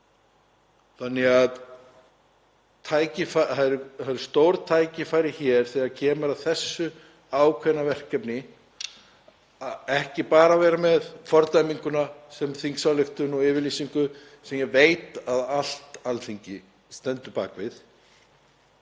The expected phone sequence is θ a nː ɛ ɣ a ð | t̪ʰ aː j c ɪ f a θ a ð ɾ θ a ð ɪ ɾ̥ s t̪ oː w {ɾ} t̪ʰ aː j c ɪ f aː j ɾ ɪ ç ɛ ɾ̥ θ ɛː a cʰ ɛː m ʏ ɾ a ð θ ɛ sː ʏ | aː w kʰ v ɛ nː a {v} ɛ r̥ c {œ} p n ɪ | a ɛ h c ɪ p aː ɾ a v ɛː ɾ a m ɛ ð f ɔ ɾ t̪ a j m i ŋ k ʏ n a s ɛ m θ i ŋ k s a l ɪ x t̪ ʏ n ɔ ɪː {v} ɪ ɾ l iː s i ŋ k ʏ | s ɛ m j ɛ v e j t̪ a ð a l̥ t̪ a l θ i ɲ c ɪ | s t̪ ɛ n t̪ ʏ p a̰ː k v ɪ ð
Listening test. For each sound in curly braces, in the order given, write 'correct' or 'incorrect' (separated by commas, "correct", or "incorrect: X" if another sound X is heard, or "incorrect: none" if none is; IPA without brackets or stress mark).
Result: correct, correct, incorrect: ɛ, correct